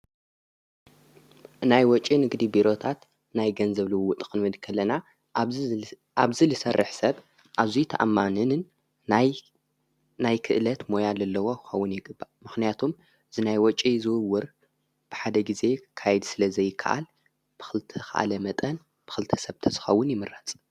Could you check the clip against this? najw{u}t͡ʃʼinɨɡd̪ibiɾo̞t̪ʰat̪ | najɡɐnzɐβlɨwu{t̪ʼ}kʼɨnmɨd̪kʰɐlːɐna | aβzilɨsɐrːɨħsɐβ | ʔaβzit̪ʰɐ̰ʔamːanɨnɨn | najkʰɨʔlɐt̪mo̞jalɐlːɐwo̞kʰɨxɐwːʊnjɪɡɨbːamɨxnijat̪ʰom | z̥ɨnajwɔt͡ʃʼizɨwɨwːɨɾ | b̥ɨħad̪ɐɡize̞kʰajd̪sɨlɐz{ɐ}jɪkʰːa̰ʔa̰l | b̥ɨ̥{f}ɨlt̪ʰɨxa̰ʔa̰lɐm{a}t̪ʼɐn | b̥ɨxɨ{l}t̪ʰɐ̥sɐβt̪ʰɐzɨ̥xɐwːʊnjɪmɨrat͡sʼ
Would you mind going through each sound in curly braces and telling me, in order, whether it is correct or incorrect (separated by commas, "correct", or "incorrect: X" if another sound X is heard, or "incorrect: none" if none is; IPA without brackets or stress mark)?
incorrect: ɔ, correct, correct, incorrect: x, incorrect: ɐ, correct